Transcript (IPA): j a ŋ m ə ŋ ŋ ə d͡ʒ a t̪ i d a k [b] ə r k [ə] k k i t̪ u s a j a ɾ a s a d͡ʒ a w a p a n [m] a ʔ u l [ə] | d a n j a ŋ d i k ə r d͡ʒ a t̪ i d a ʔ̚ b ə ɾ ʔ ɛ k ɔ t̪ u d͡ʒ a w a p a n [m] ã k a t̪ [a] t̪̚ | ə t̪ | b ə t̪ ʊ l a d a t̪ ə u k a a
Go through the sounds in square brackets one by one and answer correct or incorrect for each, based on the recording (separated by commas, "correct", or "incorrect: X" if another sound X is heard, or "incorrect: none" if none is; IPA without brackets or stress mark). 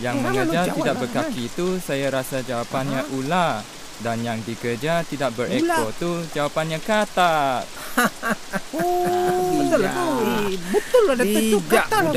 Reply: correct, incorrect: a, incorrect: ɲ, incorrect: a, incorrect: ɲ, correct